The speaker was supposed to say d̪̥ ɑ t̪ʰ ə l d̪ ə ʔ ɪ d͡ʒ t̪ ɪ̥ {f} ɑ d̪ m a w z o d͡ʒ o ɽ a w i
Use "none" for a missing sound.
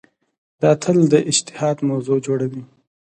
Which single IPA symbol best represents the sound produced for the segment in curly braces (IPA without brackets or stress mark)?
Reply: h